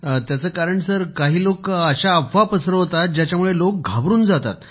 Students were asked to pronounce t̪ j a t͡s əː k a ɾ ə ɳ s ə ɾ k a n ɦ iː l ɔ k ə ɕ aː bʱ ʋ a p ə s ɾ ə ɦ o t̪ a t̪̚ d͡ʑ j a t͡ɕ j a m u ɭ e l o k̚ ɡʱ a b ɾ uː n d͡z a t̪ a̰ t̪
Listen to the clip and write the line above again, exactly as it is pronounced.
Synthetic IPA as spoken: t̪ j a t͡s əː k a ɾ ə ɳ s ə ɾ k a ɦ iː l o k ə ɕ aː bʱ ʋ a p ə s ɾ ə ɦ o t̪ a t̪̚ d͡ʑ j a t͡ɕ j a m u ɭ e l o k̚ ɡʱ a b ɾ uː n d͡z a t̪ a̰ t̪